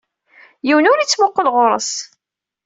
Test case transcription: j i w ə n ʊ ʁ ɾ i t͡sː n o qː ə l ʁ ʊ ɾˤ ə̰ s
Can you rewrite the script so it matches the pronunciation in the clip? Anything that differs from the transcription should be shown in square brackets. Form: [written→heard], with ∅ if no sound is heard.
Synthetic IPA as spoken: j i w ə n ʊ [ʁ→∅] ɾ i t͡sː [n→m] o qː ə l ʁ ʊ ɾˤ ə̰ s